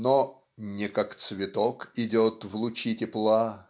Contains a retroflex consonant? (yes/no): no